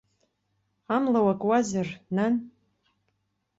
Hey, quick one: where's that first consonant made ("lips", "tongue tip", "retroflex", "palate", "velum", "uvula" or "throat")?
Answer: lips